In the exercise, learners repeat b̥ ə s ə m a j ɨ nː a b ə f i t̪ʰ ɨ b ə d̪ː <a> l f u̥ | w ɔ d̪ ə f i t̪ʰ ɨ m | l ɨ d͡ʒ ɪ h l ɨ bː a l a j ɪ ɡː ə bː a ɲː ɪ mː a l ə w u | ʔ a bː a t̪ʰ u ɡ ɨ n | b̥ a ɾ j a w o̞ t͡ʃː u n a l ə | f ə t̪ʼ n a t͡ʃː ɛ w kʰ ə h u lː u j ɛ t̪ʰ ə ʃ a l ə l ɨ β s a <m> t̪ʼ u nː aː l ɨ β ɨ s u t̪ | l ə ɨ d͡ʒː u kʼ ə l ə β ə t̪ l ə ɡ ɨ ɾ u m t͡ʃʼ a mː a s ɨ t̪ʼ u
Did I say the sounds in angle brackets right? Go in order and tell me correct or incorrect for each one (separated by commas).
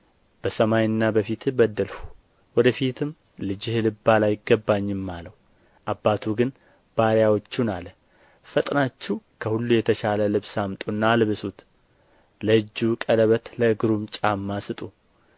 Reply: incorrect, correct